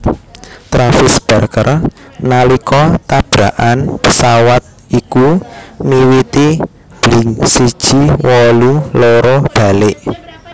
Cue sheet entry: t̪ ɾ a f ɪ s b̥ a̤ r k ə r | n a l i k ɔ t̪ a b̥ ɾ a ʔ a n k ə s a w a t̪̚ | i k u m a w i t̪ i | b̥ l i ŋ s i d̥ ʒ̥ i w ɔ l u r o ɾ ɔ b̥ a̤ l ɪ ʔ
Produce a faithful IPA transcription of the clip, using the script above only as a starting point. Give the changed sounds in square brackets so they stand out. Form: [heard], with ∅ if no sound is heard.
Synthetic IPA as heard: t̪ ɾ a f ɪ s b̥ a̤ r k ə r | n a l i k ɔ t̪ a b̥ ɾ a ʔ a n [p] ə s a w a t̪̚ | i k u m [i] w i t̪ i | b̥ l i ŋ s i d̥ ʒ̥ i w ɔ l u [l] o ɾ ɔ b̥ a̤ l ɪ ʔ